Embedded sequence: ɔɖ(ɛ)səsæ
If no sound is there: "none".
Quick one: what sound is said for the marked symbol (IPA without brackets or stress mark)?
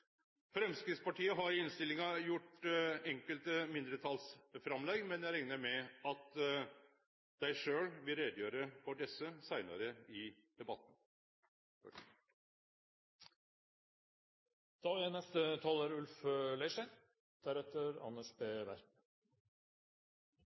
ɛ